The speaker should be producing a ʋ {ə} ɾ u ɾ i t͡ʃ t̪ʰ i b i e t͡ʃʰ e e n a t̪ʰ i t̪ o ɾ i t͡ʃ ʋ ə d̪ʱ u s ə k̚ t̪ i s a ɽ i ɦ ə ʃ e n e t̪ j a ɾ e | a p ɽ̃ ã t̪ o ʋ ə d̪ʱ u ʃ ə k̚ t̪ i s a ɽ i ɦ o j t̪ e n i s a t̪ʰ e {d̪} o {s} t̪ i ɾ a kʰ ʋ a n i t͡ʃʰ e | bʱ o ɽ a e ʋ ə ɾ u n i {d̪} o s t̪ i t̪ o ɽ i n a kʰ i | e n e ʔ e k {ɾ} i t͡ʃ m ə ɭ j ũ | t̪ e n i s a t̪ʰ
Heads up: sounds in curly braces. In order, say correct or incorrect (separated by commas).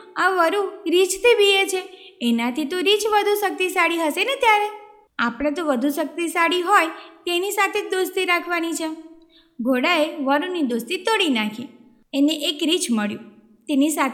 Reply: correct, correct, correct, correct, correct